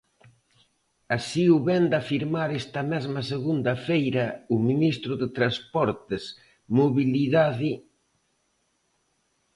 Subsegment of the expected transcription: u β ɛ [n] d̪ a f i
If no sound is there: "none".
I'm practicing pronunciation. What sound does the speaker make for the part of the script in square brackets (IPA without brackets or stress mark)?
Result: n